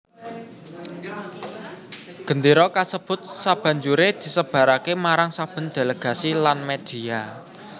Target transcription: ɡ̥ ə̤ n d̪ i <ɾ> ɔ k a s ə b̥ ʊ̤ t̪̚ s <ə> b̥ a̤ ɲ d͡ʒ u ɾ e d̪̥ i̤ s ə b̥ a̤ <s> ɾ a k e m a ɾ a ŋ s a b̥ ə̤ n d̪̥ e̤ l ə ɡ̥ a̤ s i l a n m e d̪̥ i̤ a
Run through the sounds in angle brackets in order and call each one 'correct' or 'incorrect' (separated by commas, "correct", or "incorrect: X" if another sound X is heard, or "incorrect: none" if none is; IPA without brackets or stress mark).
correct, incorrect: a, incorrect: none